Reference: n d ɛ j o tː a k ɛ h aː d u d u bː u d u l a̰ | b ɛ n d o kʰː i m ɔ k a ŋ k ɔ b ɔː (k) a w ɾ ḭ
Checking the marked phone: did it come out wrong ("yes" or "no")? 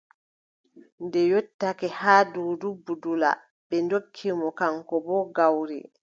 yes